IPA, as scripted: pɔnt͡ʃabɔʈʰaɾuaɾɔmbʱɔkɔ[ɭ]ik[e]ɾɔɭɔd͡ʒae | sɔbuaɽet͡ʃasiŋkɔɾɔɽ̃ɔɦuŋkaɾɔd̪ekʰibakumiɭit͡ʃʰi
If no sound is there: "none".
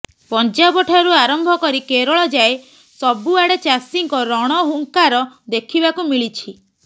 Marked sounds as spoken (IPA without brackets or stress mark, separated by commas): ɾ, e